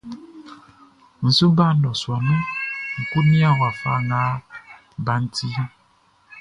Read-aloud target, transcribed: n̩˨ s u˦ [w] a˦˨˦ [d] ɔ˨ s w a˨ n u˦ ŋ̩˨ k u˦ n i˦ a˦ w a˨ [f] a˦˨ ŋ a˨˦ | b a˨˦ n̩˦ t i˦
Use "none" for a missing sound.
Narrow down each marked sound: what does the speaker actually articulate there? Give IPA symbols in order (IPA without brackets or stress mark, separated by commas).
b, n, f